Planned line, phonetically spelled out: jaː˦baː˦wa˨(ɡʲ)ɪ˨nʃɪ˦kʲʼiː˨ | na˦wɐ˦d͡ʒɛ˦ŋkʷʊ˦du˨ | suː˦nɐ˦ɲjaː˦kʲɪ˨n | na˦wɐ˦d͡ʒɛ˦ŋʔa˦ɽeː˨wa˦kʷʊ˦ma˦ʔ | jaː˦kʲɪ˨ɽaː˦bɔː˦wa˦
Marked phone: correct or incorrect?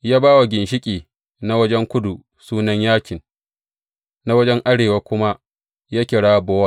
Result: correct